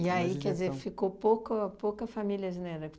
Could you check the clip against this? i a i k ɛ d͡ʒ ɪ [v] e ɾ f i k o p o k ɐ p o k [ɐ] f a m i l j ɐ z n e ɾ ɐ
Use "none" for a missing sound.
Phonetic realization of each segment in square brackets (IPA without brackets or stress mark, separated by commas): z, ɐ